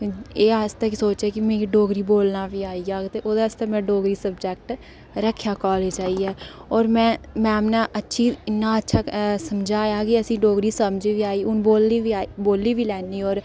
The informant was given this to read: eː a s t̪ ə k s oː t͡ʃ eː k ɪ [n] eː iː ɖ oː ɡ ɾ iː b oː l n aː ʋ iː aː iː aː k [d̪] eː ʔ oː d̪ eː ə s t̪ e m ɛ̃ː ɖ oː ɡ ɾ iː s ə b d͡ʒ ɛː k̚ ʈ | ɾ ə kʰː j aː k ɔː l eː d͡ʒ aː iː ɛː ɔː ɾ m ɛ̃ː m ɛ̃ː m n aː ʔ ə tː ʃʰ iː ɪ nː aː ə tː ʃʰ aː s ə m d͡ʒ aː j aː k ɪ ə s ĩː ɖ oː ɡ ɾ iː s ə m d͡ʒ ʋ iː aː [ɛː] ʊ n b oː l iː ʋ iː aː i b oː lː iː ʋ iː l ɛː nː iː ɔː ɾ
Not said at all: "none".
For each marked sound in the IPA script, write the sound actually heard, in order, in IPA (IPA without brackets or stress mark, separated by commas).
m, t̪, iː